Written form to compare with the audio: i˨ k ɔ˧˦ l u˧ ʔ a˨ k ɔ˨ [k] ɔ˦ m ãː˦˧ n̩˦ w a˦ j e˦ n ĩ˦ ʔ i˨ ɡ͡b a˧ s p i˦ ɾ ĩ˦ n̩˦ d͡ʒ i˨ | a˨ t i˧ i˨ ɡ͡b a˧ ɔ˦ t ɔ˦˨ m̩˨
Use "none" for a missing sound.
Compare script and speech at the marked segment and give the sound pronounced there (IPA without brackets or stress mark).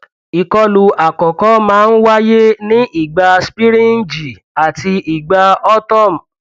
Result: k